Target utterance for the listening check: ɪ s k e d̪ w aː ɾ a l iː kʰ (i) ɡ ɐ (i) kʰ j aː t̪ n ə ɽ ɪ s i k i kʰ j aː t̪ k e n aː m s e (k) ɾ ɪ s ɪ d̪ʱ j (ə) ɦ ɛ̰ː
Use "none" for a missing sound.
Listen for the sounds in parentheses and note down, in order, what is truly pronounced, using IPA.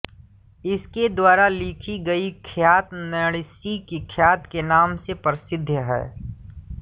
i, i, p, ə

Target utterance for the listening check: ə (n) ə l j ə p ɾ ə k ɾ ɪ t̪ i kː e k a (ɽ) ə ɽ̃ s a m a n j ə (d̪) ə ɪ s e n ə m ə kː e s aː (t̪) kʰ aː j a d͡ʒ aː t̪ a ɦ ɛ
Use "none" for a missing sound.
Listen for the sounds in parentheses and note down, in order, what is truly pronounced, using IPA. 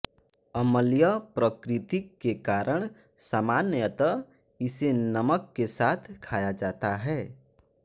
m, ɾ, t̪, t̪ʰ

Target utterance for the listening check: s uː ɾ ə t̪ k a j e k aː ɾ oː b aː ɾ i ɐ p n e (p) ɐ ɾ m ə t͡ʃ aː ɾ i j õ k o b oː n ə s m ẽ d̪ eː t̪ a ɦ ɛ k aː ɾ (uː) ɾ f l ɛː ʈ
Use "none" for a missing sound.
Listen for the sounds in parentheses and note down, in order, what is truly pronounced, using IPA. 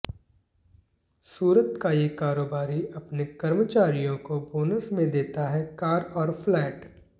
k, ɔː

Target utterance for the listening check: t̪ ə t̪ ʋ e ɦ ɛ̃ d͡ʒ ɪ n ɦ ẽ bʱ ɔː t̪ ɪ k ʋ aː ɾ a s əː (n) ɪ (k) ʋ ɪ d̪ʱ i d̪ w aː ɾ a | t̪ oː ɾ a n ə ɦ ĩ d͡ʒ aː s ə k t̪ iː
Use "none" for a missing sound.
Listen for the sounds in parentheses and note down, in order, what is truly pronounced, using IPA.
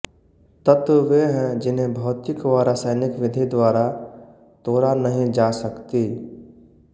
n, k

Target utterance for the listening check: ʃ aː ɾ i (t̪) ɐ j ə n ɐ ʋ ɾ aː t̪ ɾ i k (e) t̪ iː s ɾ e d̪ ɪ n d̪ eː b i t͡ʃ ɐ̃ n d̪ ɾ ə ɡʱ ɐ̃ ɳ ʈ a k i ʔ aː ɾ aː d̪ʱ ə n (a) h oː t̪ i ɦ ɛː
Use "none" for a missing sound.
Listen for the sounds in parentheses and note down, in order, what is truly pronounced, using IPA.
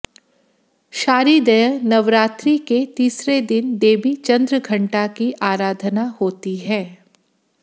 d̪, e, a

